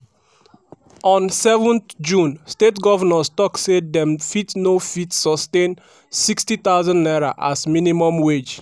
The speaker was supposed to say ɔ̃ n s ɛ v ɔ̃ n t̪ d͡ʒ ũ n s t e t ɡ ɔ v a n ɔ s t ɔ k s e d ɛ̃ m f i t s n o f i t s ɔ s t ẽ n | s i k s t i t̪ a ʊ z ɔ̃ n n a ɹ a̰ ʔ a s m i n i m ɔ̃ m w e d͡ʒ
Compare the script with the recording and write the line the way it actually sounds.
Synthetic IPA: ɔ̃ n s ɛ v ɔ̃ n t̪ d͡ʒ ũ n s t e t ɡ ɔ v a n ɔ s t ɔ k s e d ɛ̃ m f i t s n o f i t s ɔ s t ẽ n | s i k s t i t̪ a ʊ z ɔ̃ n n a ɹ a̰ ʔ a s m i n i m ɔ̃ m w e d͡ʒ